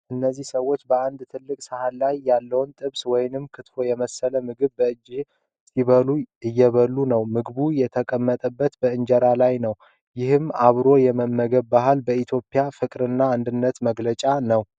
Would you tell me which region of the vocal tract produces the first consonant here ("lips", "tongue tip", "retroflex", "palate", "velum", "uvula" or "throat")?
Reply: throat